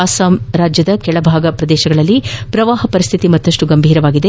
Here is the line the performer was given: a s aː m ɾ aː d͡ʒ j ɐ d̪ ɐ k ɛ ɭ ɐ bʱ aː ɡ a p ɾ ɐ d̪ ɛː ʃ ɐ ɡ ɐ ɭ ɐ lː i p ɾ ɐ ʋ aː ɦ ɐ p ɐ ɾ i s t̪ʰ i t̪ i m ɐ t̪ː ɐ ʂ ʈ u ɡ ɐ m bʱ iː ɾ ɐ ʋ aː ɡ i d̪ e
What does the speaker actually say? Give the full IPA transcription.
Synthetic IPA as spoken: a s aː m ɾ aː d͡ʒ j ɐ d̪ ɐ k ɛ ɭ ɐ bʱ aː ɡ ɐ p ɾ ɐ d̪ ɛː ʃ ɐ ɡ ɐ ɭ ɐ lː i p ɾ ɐ ʋ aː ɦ ɐ p ɐ ɾ i s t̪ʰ i t̪ i m ɐ t̪ː ɐ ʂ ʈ u ɡ ɐ m bʱ iː ɾ ɐ ʋ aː ɡ i d̪ e